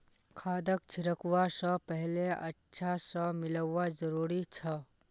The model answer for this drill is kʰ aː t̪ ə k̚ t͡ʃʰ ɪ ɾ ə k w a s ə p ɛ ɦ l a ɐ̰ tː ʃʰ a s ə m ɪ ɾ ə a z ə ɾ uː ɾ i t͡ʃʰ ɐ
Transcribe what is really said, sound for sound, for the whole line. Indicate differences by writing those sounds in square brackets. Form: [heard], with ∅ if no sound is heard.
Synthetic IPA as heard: kʰ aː [d̪] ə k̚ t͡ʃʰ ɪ ɾ ə k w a s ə p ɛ ɦ l [e] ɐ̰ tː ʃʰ a s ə m ɪ [l] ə a z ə ɾ uː ɾ i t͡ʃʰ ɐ